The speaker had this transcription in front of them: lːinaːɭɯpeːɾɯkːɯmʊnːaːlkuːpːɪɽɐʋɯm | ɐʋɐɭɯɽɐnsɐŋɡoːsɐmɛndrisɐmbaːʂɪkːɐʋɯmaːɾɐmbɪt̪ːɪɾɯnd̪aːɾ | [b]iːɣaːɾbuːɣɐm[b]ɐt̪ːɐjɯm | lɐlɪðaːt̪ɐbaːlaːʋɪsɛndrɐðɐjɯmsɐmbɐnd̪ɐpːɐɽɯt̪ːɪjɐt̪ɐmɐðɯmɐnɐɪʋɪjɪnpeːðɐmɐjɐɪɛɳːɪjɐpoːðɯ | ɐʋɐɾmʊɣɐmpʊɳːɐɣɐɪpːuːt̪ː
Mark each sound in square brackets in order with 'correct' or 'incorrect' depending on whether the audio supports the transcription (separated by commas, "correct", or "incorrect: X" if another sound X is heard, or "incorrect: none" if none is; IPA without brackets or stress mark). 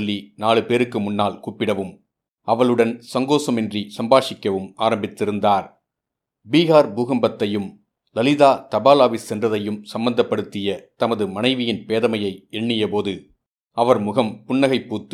correct, correct